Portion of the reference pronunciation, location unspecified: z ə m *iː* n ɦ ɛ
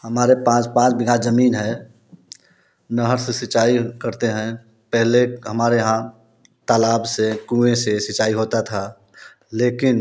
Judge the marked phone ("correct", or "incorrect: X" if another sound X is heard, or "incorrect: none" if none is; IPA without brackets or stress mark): correct